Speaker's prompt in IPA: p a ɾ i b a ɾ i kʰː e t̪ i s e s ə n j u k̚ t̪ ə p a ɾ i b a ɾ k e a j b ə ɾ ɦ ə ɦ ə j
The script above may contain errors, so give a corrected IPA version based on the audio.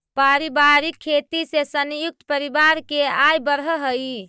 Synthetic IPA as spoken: p a ɾ i b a ɾ i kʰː e t̪ i s e s ə n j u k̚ t̪ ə p ə ɾ i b a ɾ k e a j b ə ɾ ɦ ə ɦ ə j

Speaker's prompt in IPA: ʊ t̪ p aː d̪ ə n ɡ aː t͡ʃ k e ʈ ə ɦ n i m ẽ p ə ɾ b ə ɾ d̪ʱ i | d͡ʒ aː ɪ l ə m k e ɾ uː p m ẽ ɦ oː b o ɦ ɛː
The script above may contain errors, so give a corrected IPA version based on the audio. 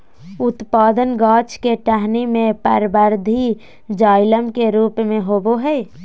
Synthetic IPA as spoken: ʊ t̪ p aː d̪ ə n ɡ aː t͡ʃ k e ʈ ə ɦ n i m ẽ p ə ɾ b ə ɾ d̪ʱ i | d͡ʒ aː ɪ l ə m k e ɾ uː p m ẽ ɦ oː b o ɦ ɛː

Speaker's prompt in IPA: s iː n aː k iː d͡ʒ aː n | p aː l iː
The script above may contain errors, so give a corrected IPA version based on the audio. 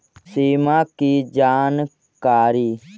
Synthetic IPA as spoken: s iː m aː k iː d͡ʒ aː n | k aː ɾ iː

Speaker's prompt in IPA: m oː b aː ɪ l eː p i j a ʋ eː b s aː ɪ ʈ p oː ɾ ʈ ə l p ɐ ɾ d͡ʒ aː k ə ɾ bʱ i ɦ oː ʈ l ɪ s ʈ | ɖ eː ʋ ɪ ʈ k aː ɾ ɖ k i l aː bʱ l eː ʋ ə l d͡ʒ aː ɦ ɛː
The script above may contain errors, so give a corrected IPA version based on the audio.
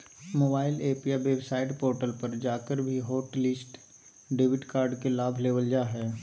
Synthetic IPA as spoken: m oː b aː ɪ l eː p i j a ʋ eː b s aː ɪ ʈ p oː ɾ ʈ ə l p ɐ ɾ d͡ʒ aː k ə ɾ bʱ i ɦ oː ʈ l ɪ s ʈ | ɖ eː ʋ ɪ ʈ k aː ɾ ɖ k e l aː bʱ l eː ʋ ə l d͡ʒ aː ɦ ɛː

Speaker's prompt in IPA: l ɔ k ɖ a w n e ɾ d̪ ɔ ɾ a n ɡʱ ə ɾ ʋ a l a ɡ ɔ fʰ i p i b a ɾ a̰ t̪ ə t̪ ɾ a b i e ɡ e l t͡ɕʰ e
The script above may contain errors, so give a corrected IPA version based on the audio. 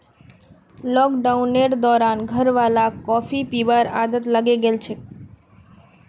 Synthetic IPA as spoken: l ɔ k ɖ a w n e ɾ d̪ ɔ ɾ a n ɡʱ ə ɾ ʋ a l a k ɔ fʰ i p i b a ɾ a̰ d̪ ə t̪ l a ɡ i e ɡ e l t͡ɕʰ e

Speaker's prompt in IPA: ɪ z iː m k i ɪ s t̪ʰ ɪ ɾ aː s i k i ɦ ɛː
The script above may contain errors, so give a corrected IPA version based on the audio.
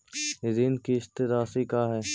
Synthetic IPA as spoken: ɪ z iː n k i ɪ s t̪ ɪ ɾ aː s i k a ɦ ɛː

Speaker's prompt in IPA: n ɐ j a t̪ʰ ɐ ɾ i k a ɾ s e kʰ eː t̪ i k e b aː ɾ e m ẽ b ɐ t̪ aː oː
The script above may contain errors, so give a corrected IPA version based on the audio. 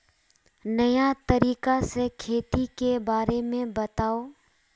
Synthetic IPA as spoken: n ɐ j a t̪ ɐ ɾ iː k a s e kʰ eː t̪ i k e b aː ɾ e m ẽ b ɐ t̪ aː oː

